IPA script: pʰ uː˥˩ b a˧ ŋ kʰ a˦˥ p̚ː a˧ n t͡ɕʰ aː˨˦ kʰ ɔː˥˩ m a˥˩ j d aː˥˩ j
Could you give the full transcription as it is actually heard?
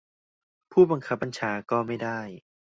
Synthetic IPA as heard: pʰ uː˥˩ b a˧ ŋ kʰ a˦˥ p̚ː a˧ n t͡ɕʰ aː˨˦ k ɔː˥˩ m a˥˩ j d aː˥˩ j